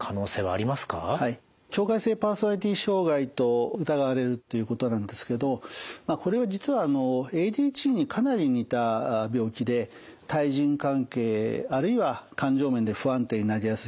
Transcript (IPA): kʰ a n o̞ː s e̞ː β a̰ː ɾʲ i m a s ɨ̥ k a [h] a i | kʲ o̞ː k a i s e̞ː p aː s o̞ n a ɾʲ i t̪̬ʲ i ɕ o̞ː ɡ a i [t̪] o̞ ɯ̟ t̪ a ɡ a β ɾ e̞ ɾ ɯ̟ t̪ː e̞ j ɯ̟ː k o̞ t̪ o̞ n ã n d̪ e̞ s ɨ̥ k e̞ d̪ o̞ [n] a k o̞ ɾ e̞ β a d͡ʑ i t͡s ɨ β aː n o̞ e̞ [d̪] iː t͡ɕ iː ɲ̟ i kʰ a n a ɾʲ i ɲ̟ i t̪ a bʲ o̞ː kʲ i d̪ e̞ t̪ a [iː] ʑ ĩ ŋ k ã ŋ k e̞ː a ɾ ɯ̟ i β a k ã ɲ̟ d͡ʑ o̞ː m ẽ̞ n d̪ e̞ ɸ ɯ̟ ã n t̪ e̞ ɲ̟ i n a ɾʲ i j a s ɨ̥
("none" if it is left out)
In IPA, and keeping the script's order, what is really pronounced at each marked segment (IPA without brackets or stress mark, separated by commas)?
h, t̪, m, d̪, i